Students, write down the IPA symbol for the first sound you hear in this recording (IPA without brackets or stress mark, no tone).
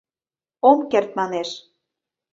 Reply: o